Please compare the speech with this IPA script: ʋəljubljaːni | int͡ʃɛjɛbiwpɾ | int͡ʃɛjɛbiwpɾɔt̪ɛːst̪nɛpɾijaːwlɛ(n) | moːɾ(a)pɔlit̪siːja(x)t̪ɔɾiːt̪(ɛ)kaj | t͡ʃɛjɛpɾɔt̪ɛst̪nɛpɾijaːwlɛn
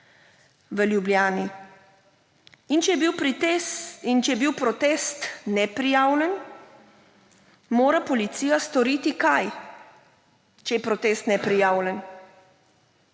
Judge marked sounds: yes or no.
yes, yes, no, no

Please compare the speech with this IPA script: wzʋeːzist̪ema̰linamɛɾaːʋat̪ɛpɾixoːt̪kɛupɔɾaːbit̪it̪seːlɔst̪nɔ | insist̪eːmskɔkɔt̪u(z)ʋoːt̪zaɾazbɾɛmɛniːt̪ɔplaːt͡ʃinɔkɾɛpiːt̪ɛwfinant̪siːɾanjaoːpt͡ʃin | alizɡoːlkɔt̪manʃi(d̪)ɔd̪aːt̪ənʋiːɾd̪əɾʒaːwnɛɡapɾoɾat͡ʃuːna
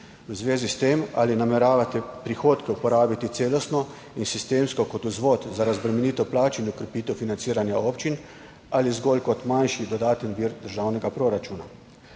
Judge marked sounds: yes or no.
yes, yes

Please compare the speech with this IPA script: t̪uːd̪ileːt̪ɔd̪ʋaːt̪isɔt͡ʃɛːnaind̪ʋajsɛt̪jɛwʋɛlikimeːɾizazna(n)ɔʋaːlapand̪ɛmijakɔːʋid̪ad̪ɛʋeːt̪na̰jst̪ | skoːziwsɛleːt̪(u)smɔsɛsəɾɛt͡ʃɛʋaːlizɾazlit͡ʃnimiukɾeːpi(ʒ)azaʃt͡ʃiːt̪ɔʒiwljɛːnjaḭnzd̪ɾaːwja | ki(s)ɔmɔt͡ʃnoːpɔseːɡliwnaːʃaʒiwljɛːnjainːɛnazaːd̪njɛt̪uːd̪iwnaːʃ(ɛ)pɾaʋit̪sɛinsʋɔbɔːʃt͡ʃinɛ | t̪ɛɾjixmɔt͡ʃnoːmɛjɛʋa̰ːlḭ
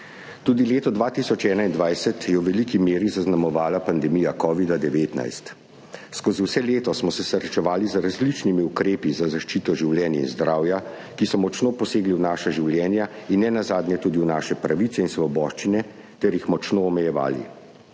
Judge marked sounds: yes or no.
no, no, no, yes, yes

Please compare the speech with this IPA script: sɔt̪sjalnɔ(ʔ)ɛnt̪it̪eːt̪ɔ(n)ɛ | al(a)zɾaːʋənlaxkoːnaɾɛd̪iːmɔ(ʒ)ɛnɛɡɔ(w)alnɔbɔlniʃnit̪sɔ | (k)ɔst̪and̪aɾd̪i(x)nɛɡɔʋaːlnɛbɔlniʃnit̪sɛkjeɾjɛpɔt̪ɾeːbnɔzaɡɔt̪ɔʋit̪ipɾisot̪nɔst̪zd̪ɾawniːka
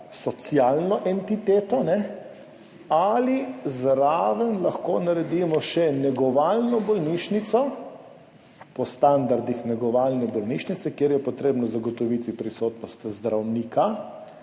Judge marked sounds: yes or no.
yes, yes, no, no, no, no, yes

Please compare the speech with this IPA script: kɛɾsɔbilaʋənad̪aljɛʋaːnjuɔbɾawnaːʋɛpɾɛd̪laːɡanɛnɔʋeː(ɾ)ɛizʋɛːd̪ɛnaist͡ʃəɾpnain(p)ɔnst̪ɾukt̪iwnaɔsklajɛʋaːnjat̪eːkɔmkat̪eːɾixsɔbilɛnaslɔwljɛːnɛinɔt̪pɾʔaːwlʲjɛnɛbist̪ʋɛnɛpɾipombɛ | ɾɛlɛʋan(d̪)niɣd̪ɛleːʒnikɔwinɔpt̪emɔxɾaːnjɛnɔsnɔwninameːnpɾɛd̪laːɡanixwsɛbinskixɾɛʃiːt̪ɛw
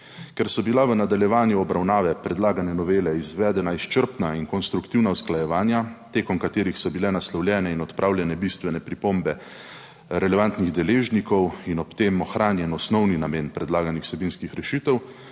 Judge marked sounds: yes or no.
no, no, no

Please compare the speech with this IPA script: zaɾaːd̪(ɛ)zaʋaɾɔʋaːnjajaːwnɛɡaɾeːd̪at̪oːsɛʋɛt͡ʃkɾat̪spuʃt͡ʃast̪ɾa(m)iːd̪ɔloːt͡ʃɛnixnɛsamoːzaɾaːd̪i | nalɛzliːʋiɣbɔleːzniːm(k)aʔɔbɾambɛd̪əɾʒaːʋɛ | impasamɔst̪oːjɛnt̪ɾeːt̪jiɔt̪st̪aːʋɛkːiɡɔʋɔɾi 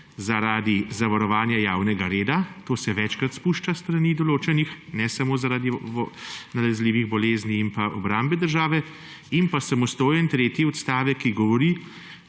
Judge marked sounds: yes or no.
no, no, no

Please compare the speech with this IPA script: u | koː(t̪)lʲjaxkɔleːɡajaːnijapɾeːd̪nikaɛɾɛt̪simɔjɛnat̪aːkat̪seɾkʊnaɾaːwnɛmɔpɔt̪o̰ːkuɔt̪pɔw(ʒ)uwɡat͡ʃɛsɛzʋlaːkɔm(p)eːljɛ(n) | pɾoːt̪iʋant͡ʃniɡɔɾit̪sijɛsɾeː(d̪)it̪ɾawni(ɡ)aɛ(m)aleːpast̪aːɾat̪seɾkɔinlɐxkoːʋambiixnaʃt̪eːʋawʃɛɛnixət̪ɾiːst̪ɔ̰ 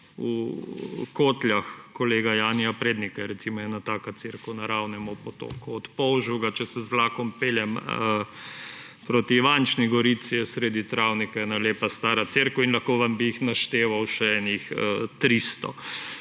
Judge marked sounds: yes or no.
yes, yes, yes, no, yes, no, no

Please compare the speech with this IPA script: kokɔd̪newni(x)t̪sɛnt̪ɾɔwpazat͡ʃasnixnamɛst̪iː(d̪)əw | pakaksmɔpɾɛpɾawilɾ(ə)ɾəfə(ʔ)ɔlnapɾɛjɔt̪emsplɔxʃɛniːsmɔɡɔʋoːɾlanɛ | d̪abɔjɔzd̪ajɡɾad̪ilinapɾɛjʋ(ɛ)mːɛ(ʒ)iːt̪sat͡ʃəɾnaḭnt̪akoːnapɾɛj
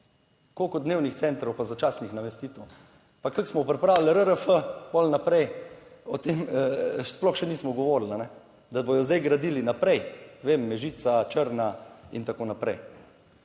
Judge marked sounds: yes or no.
yes, no, yes, no, no, yes

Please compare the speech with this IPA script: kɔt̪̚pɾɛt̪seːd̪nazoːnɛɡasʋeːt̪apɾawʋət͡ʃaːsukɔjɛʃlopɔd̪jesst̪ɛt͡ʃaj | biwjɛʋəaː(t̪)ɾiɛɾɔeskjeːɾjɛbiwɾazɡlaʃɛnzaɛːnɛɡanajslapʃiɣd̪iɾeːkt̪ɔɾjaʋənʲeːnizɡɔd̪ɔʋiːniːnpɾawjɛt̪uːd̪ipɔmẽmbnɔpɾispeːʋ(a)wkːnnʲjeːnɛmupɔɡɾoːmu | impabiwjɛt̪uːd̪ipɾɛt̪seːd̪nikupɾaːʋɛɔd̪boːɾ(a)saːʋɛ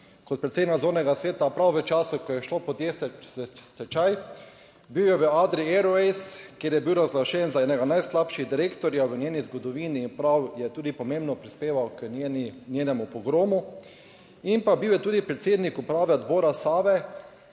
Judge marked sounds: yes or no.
no, yes, yes

